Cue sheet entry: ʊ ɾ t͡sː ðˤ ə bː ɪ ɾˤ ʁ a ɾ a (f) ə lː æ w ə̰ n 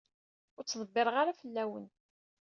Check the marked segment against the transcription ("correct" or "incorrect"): correct